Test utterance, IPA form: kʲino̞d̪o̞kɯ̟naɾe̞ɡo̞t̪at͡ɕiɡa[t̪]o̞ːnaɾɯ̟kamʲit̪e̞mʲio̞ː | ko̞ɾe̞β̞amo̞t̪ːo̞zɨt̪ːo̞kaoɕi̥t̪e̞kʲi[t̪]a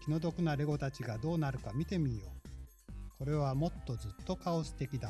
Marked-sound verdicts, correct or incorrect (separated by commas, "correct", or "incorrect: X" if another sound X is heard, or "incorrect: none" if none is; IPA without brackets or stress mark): incorrect: d̪, incorrect: d̪